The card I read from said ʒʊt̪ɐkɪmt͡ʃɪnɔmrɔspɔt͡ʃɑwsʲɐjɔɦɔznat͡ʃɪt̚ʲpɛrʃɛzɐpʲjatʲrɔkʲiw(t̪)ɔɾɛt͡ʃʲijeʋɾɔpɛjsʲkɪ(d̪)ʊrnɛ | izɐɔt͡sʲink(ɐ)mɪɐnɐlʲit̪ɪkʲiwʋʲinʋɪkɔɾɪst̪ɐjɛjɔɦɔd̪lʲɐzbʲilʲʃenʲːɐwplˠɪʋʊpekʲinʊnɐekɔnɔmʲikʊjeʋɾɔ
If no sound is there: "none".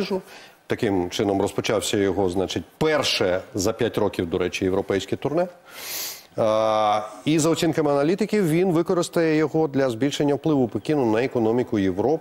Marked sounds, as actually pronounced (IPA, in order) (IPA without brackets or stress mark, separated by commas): d̪, t̪, ɐ